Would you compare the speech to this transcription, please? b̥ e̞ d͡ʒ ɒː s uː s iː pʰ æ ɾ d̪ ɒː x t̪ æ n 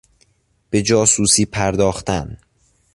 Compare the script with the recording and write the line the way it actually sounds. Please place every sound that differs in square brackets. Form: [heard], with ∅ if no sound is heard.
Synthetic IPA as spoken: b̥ e̞ d͡ʒ ɒː s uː s iː pʰ æ ɾ d̪ ɒː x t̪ æ n

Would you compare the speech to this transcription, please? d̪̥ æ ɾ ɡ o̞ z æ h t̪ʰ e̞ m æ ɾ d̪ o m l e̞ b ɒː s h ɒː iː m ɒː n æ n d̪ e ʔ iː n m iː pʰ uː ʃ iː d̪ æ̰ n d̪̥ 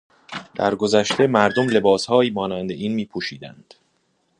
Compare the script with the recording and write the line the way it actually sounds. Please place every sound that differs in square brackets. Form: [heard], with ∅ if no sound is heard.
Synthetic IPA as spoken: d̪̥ æ ɾ ɡ o̞ z æ [ʃ] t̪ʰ e̞ m æ ɾ d̪ o m l e̞ b ɒː s h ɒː iː m ɒː n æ n d̪ e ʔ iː n m iː pʰ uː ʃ iː d̪ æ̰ n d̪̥

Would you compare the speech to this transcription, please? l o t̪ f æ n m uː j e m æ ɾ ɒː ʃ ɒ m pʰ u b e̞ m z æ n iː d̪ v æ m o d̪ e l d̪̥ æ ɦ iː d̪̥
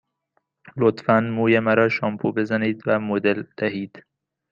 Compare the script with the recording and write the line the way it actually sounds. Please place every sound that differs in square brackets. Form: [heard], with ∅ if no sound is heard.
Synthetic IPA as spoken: l o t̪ f æ n m uː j e m æ ɾ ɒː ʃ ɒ m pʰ u b e̞ [∅] z æ n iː d̪ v æ m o d̪ e l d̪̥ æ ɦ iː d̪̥

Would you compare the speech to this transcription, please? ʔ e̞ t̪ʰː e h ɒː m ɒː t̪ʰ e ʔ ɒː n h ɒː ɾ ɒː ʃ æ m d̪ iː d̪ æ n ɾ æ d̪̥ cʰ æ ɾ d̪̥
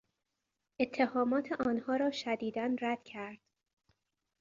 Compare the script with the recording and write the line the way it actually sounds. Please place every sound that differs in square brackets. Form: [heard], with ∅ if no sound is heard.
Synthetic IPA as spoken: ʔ e̞ t̪ʰː e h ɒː m ɒː t̪ʰ e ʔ ɒː n h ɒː ɾ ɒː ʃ æ [∅] d̪ iː d̪ æ n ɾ æ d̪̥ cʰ æ ɾ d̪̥

